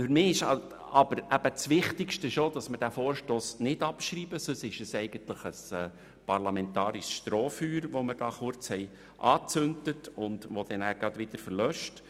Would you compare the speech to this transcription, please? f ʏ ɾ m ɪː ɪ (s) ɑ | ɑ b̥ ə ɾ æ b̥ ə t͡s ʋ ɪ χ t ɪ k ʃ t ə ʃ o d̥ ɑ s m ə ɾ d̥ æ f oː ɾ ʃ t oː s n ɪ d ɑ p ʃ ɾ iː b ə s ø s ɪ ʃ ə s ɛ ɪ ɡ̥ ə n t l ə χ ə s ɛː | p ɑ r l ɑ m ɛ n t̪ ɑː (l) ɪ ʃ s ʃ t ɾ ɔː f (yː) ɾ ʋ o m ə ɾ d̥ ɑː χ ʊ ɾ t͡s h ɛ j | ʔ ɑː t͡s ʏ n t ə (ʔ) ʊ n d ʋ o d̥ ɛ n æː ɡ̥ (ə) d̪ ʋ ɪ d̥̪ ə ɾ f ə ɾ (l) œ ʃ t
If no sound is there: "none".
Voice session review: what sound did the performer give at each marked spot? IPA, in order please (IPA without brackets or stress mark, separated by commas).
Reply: ʃ, ɾ, yː, t, ɑ, l